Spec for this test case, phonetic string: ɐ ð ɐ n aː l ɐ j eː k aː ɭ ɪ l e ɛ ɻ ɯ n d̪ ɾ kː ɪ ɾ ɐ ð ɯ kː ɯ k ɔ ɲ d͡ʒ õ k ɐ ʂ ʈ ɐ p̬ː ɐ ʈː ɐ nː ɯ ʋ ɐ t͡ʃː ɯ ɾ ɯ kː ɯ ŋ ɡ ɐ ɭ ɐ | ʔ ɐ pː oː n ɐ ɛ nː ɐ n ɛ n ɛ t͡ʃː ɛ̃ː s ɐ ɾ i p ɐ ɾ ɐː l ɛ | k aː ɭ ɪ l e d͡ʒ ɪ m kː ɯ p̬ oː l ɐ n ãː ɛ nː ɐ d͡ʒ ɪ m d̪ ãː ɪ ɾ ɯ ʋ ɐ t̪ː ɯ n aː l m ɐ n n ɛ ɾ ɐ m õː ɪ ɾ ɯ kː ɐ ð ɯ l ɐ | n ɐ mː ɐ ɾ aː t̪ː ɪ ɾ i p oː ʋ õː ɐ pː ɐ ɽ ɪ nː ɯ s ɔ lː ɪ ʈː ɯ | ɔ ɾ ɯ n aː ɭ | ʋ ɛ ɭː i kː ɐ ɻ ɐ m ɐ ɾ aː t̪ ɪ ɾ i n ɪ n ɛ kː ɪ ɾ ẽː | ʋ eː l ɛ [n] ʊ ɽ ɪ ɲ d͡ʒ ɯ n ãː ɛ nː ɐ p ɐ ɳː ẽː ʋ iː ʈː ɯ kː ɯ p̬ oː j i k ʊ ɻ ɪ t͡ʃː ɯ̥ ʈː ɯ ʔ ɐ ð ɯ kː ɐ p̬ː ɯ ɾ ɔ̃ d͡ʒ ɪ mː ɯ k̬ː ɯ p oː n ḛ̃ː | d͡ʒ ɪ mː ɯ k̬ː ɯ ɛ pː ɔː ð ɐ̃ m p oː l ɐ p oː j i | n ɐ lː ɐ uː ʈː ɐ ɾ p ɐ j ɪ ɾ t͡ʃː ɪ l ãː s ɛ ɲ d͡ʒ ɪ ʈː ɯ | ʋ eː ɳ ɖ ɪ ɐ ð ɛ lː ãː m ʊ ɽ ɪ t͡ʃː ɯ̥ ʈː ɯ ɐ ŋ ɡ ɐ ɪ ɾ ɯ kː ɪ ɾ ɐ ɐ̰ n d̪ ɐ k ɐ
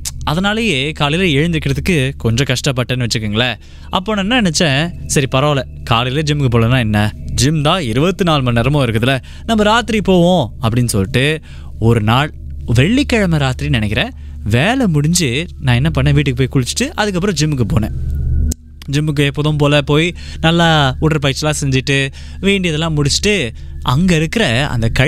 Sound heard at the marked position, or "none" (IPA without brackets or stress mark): m